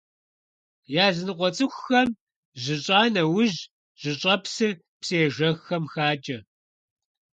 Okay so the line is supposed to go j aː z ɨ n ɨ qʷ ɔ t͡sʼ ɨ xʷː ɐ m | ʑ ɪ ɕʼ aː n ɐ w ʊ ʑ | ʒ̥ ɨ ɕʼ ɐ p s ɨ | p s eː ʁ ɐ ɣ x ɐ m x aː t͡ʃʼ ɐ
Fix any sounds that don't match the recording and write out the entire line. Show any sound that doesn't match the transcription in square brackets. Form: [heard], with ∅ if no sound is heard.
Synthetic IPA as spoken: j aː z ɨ n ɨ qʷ ɔ t͡sʼ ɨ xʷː ɐ m | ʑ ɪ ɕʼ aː n ɐ w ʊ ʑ | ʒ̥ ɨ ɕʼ ɐ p s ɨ | p s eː [ʒ] ɐ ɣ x ɐ m x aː t͡ʃʼ ɐ